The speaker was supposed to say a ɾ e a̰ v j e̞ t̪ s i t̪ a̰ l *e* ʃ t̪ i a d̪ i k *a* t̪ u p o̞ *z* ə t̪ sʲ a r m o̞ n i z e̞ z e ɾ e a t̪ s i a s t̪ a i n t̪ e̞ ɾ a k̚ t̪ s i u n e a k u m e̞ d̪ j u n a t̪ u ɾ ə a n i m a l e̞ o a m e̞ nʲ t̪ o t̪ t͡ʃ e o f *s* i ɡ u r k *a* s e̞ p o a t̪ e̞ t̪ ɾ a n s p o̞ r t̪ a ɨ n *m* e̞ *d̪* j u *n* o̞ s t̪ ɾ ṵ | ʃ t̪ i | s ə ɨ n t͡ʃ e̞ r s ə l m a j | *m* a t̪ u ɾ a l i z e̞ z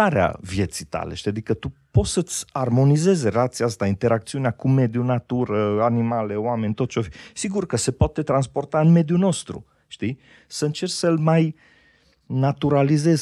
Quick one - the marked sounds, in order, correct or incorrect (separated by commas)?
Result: correct, incorrect, incorrect, correct, incorrect, correct, correct, correct, incorrect